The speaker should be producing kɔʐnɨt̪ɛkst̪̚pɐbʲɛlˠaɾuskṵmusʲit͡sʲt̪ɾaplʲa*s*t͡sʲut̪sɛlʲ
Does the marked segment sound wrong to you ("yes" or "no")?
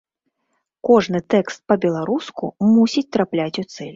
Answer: yes